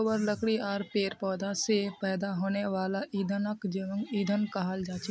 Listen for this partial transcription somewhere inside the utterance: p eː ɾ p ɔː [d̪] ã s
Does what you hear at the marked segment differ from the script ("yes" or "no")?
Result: no